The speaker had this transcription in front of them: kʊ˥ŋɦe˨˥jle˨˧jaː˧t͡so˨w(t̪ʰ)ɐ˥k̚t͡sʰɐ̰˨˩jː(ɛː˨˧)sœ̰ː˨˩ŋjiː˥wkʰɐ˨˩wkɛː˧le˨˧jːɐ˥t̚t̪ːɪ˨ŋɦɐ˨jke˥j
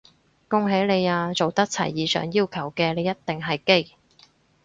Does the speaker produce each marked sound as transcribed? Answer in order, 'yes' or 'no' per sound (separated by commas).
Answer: no, no